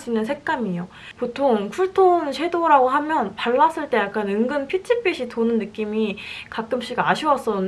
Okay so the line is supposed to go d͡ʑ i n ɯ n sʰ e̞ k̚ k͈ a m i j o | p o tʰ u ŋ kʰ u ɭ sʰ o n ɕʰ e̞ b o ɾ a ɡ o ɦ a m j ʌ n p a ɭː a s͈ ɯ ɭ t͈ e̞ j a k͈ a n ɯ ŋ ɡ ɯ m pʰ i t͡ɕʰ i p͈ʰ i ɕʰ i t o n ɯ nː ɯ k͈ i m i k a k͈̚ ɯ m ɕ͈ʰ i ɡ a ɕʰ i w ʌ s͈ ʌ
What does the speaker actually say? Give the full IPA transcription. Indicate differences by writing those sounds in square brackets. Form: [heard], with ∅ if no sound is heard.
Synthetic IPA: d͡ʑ i n ɯ n sʰ e̞ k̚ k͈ a m i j o | p o tʰ [o] ŋ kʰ u ɭ [tʰ] o n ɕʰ e̞ [d] o ɾ a ɡ o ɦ a m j ʌ n p a ɭː a s͈ ɯ ɭ t͈ e̞ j a k͈ a n ɯ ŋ ɡ ɯ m pʰ i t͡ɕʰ i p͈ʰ i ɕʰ i t o n ɯ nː ɯ k͈ i m i k a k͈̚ ɯ m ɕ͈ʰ i ɡ a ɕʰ i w ʌ s͈ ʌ

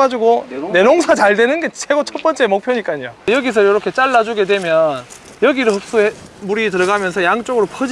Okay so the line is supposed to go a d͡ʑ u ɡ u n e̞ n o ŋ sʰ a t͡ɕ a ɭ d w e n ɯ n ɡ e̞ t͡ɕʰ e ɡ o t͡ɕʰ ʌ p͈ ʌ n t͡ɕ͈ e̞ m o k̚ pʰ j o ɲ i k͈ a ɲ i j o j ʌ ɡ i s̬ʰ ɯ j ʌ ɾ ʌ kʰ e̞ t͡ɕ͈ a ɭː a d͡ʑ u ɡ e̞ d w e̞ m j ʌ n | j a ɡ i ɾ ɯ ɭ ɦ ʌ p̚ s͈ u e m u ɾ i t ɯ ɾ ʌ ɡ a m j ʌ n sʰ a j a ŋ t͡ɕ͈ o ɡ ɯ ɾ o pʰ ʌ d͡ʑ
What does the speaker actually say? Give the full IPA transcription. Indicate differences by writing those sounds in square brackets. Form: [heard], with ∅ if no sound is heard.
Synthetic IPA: a d͡ʑ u ɡ [o] n e̞ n o ŋ sʰ a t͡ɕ a ɭ d w e n ɯ n ɡ e̞ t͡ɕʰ e ɡ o t͡ɕʰ ʌ p͈ ʌ n t͡ɕ͈ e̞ m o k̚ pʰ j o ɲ i k͈ a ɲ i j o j ʌ ɡ i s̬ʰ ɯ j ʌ ɾ ʌ kʰ e̞ t͡ɕ͈ a ɭː a d͡ʑ u ɡ e̞ d w e̞ m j ʌ n | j [ʌ] ɡ i ɾ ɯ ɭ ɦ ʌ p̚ s͈ u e m u ɾ i t ɯ ɾ ʌ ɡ a m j ʌ n sʰ [ʌ] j a ŋ t͡ɕ͈ o ɡ ɯ ɾ o pʰ ʌ d͡ʑ

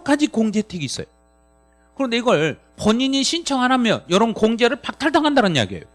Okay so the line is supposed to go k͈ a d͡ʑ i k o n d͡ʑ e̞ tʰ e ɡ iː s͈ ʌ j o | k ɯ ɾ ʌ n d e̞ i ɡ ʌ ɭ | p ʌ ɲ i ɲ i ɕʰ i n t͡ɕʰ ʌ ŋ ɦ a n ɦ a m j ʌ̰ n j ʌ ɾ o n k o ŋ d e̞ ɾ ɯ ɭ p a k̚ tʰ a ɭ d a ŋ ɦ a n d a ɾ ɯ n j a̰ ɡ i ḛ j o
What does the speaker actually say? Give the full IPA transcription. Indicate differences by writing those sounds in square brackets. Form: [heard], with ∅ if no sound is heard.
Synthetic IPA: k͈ a d͡ʑ i k o [ŋ] d͡ʑ e̞ tʰ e ɡ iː s͈ ʌ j o | k ɯ ɾ ʌ n d e̞ i ɡ ʌ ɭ | p ʌ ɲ i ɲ i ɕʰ i n t͡ɕʰ ʌ ŋ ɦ a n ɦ a m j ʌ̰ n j ʌ ɾ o n k o ŋ [d͡ʑ] e̞ ɾ ɯ ɭ p a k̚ tʰ a ɭ d a ŋ ɦ a n d a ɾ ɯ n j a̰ ɡ i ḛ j o

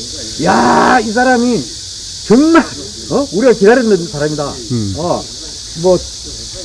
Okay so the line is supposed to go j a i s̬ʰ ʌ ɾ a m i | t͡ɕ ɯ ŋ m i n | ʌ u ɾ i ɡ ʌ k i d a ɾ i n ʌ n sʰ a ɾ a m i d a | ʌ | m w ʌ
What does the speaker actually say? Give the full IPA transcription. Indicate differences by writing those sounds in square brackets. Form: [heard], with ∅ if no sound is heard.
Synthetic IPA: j a i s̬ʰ [a] ɾ a m i | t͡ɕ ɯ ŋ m [a] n | ʌ u ɾ i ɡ [a] k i d a ɾ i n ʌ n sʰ a ɾ a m i d a | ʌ | m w ʌ

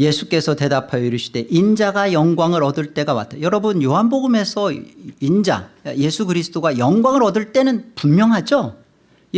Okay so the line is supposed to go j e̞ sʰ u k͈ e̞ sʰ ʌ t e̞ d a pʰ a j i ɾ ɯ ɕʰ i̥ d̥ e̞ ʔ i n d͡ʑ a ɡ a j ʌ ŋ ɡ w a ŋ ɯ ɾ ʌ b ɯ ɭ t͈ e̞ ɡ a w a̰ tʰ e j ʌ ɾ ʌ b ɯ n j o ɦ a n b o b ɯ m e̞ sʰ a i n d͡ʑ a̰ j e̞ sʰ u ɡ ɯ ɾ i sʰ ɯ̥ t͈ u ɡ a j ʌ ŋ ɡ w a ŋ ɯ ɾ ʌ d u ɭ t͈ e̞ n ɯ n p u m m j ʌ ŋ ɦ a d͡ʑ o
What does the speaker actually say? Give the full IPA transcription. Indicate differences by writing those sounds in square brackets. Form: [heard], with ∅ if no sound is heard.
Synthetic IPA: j e̞ sʰ u k͈ e̞ sʰ ʌ t e̞ d a pʰ a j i ɾ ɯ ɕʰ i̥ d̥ e̞ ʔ i n d͡ʑ a ɡ a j ʌ ŋ ɡ w a ŋ ɯ ɾ ʌ [d] ɯ ɭ t͈ e̞ ɡ a w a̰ tʰ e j ʌ ɾ ʌ b ɯ n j o ɦ a n b o [ɡ] ɯ m e̞ sʰ [ʌ] i n d͡ʑ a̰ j e̞ sʰ u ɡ ɯ ɾ i sʰ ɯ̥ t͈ [o] ɡ a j ʌ ŋ ɡ w a ŋ ɯ ɾ ʌ d [ɯ] ɭ t͈ e̞ n ɯ n p u m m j ʌ ŋ ɦ a d͡ʑ o

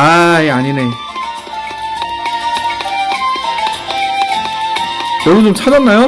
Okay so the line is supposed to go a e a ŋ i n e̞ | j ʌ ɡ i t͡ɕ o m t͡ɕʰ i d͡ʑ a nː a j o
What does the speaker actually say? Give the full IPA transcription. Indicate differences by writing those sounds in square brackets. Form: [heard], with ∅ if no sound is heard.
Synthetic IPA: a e a [ɲ] i n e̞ | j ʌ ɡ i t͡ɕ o m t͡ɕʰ [a] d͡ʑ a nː a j o

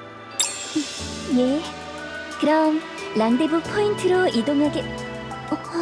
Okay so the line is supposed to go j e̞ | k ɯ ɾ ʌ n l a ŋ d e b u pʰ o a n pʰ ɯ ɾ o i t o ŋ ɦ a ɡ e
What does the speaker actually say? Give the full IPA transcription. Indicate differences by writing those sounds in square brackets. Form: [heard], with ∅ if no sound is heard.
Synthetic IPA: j e̞ | k ɯ ɾ ʌ [m] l a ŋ d e b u pʰ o [i] n [tʰ] ɯ ɾ o i [d] o ŋ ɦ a ɡ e

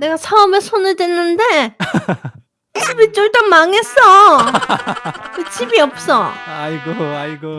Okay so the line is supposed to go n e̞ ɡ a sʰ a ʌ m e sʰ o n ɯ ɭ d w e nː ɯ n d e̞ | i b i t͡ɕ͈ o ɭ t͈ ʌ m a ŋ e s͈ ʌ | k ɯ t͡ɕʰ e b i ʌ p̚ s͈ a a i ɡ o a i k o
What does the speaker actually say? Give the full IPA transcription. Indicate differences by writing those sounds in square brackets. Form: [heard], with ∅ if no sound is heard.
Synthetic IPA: n e̞ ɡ a sʰ a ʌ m e sʰ o n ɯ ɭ d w e nː ɯ n d e̞ | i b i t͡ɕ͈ o ɭ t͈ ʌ m a ŋ e s͈ ʌ | k ɯ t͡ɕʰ [i] b i ʌ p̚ s͈ [ʌ] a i ɡ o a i [ɡ] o

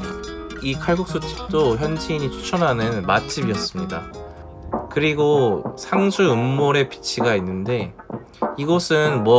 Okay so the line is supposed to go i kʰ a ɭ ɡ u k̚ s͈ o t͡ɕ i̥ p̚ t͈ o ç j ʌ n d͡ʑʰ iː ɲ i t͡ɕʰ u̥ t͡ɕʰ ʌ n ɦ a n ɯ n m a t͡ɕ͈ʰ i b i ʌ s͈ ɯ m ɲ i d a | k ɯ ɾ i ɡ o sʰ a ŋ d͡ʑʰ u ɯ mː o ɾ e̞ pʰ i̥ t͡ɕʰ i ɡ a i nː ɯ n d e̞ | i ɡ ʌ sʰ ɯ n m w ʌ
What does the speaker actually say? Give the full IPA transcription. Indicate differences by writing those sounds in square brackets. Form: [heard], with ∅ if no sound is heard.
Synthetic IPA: i kʰ a ɭ ɡ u k̚ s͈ o [t͡ɕʰ] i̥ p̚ t͈ o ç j ʌ n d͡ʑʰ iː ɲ i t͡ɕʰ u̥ t͡ɕʰ ʌ n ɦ a n ɯ n m a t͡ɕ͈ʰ i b i ʌ s͈ ɯ m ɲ i d a | k ɯ ɾ i ɡ o sʰ a ŋ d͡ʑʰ u ɯ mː o ɾ e̞ [p] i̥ t͡ɕʰ i ɡ a i nː ɯ n d e̞ | i ɡ ʌ sʰ ɯ n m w ʌ

